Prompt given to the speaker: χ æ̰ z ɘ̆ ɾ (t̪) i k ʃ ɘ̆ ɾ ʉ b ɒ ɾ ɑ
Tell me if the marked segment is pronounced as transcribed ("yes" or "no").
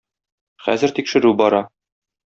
yes